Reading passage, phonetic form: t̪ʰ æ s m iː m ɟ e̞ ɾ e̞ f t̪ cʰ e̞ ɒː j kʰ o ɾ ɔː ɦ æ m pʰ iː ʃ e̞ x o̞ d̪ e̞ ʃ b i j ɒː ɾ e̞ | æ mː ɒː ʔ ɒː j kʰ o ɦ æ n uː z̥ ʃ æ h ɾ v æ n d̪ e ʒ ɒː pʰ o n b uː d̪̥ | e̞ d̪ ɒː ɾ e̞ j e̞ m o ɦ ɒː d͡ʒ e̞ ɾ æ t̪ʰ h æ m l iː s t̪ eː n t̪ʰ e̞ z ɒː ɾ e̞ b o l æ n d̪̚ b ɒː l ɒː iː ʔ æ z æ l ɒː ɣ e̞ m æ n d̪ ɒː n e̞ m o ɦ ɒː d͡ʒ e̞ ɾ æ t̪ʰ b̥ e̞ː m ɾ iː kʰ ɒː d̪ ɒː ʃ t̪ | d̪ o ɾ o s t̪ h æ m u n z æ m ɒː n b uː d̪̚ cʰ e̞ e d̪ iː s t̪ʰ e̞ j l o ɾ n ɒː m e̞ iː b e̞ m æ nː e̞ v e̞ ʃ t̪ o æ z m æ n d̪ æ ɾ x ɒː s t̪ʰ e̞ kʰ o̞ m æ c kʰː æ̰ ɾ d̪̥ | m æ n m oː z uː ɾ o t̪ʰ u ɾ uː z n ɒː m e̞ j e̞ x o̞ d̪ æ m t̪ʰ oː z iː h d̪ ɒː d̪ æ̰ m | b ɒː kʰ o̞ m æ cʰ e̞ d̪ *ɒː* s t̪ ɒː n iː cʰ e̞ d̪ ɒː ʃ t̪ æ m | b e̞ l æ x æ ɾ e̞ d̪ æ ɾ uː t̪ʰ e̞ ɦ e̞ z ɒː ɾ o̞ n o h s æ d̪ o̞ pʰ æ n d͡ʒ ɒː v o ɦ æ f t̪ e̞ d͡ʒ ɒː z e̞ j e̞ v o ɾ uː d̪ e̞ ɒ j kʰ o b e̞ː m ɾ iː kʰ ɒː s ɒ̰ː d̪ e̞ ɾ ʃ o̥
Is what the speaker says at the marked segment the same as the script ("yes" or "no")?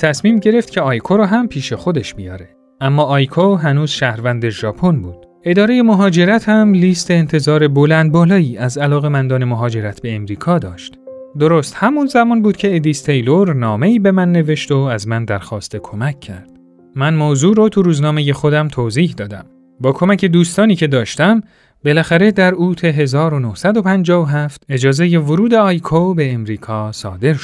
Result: no